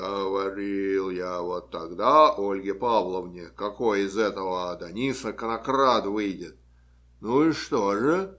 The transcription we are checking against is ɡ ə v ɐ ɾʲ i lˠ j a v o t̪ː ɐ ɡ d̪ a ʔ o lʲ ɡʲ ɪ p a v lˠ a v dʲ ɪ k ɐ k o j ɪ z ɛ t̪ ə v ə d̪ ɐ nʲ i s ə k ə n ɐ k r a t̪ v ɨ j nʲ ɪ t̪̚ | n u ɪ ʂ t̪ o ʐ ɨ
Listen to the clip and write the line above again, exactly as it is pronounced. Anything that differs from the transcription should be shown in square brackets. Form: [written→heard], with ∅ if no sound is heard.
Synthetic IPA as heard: ɡ ə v ɐ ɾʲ i lˠ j a v o t̪ː ɐ ɡ d̪ a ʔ o lʲ ɡʲ ɪ p a v lˠ [a→ə] v [dʲ→nʲ] ɪ k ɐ k o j ɪ z ɛ t̪ ə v ə d̪ ɐ nʲ i s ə k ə n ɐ k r a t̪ v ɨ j [nʲ→dʲ] ɪ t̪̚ | n u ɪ ʂ t̪ o ʐ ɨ

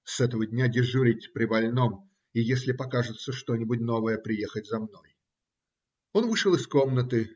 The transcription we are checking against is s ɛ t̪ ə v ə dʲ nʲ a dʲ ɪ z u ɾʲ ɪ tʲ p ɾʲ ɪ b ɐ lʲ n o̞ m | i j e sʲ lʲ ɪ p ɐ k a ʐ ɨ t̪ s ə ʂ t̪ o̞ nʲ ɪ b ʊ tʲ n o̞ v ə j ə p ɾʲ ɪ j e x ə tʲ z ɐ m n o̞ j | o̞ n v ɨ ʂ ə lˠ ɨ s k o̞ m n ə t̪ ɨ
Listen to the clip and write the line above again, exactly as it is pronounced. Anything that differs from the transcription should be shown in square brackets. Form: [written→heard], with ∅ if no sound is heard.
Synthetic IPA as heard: s ɛ t̪ ə v ə dʲ nʲ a dʲ ɪ [z→ʐ] u ɾʲ ɪ tʲ p ɾʲ ɪ b ɐ lʲ n o̞ m | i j e sʲ lʲ ɪ p ɐ k a ʐ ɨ t̪ s ə ʂ t̪ o̞ nʲ ɪ b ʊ tʲ n o̞ v ə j ə p ɾʲ ɪ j e x ə tʲ z ɐ m n o̞ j | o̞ n v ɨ ʂ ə lˠ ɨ s k o̞ m n ə t̪ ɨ

